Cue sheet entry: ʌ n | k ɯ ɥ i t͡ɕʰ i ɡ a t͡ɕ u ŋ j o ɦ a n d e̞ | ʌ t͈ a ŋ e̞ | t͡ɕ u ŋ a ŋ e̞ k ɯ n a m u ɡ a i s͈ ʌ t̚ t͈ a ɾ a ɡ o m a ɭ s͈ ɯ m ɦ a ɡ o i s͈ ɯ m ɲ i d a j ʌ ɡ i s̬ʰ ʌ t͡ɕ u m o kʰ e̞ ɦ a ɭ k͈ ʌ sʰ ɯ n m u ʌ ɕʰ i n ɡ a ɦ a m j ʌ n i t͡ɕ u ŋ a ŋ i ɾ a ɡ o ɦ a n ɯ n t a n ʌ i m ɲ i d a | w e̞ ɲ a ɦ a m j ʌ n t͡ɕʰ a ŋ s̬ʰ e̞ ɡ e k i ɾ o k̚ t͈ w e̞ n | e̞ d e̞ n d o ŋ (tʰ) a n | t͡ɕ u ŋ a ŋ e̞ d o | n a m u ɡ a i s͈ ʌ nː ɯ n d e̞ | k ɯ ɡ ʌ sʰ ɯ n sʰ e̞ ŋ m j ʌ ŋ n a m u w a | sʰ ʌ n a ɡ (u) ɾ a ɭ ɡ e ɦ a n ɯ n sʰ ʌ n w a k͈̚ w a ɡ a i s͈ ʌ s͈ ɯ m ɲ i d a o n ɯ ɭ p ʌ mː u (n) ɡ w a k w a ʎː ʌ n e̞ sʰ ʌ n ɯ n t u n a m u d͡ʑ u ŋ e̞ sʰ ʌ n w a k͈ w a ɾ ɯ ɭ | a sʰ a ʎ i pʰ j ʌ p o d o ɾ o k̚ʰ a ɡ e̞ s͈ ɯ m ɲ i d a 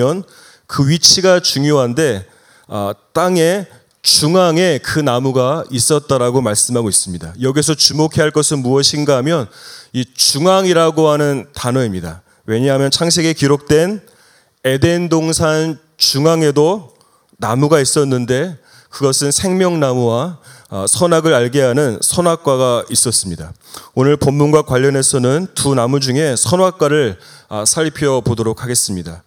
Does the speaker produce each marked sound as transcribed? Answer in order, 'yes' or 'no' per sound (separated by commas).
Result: no, no, yes